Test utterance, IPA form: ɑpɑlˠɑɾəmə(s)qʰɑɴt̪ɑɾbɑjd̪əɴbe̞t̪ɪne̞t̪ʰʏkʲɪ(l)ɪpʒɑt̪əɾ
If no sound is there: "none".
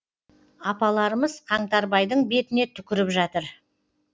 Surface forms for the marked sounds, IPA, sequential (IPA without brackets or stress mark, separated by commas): z, ɾ